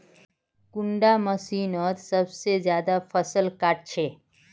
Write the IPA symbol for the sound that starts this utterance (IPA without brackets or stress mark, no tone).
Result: k